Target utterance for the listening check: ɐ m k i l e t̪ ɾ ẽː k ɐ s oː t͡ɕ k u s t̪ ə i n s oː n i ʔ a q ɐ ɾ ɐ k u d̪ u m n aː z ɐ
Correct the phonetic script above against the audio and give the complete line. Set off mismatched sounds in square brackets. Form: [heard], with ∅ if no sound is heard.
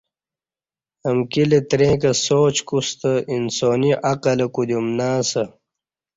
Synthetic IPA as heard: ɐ m k i l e t̪ ɾ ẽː k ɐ s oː t͡ɕ k u s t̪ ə i n s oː n i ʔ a q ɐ [l] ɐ k u d̪ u m n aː [s] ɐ

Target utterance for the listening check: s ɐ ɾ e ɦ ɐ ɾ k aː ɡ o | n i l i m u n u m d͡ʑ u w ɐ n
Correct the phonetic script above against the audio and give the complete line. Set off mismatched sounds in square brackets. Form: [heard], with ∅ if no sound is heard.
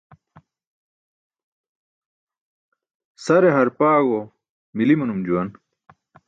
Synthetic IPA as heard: s ɐ ɾ e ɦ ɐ ɾ [p] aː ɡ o | [m] i l i m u n u m d͡ʑ u w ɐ n

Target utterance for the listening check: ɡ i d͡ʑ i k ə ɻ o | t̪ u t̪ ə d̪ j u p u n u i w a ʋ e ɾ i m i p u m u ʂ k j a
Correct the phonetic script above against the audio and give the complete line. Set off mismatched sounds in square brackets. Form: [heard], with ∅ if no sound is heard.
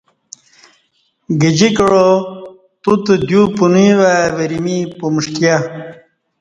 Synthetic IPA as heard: ɡ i d͡ʑ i k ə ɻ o | t̪ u t̪ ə d̪ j u p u n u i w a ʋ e ɾ i m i p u m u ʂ k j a

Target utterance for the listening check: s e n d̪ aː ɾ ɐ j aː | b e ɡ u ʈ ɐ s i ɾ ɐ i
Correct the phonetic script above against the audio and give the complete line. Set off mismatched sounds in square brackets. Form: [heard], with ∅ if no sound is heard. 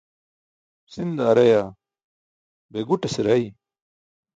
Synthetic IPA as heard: s [i] n d̪ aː ɾ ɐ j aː | b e ɡ u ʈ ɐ s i ɾ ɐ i

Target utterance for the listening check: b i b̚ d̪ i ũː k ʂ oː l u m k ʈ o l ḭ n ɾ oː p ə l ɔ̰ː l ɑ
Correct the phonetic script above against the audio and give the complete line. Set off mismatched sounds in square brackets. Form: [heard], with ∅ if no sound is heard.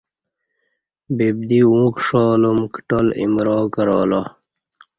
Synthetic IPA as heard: b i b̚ d̪ i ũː k ʂ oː l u m k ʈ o l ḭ [m] ɾ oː [k] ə [ɾ] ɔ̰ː l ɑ

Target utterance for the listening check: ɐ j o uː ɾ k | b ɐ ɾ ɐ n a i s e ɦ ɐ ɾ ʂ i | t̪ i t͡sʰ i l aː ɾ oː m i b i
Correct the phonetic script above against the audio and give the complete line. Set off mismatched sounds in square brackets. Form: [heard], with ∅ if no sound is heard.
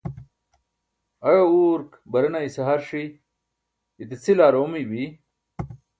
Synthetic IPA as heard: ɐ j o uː ɾ k | b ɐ ɾ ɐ n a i s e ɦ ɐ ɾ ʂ i | t̪ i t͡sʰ i l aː ɾ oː m i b i

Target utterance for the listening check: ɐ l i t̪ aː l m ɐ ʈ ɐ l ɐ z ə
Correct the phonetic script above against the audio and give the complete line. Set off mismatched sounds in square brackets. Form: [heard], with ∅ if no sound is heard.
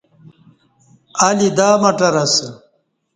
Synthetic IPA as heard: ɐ l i [d̪] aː [∅] m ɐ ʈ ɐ [ɾ] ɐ [s] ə

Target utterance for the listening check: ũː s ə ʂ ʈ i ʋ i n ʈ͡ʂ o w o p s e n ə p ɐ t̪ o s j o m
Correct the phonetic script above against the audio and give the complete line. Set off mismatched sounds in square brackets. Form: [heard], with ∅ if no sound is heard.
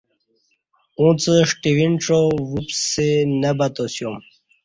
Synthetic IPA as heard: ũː [t͡s] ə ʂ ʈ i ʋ i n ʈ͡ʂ o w [u] p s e n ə [b] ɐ t̪ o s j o m

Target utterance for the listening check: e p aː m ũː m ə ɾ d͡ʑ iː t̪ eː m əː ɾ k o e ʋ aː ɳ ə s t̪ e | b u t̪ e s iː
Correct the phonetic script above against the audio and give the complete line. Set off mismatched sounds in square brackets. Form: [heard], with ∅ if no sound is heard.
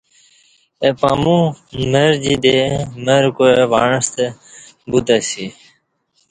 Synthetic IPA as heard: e p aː m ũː m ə ɾ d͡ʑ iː [d̪] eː m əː ɾ k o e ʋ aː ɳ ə s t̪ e | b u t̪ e s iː

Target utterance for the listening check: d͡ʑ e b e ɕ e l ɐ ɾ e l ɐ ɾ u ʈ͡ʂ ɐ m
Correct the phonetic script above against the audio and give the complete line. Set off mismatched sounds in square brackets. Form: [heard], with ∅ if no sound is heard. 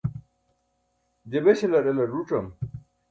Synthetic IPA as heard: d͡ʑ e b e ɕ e l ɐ ɾ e l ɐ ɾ u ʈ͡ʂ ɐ m

